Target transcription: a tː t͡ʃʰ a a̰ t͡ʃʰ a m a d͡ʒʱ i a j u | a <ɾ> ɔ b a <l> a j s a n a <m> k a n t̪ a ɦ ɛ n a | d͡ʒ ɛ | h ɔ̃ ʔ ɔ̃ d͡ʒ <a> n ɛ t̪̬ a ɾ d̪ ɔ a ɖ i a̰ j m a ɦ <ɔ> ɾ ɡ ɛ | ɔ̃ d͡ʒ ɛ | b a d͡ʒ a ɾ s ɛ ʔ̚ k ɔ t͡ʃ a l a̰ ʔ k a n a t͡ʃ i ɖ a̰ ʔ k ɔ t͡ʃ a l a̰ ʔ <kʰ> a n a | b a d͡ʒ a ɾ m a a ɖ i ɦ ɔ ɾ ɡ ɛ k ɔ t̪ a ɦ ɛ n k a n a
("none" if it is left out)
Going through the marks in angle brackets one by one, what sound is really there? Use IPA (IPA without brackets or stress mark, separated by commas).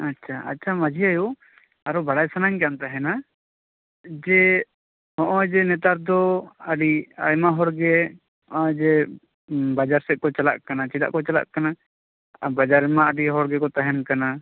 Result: ɾ, ɽ, ɲ, ɛ, ɔ, k